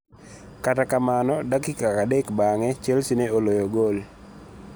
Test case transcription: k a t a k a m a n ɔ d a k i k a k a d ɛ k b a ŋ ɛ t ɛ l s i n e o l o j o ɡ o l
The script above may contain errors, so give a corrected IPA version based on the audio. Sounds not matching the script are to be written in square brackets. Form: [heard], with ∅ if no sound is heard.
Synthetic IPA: k a t a k a m a n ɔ d a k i k a k a d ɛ k b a ŋ ɛ [t͡ʃ] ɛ l s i n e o l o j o ɡ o l